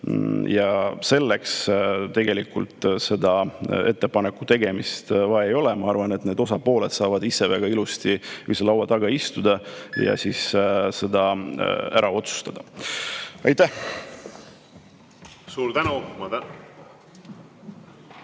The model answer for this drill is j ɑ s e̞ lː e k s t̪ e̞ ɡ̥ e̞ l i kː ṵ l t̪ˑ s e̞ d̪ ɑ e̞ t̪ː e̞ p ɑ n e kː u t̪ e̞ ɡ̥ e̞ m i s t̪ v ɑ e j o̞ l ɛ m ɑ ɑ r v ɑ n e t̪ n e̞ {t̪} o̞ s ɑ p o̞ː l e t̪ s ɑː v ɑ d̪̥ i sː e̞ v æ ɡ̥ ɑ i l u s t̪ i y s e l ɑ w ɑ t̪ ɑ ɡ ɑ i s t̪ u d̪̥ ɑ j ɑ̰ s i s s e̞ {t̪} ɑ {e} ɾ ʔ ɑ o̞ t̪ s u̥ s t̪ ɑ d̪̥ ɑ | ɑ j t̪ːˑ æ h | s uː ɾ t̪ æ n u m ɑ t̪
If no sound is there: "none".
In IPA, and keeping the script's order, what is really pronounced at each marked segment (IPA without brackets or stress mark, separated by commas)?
d̪, d̪, æ